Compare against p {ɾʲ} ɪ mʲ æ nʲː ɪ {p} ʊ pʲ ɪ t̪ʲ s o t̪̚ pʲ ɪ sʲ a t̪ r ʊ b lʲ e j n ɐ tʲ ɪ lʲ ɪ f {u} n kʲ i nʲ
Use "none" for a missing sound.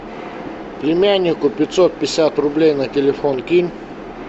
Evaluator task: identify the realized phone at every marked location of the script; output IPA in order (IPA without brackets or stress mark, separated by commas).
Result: lʲ, k, o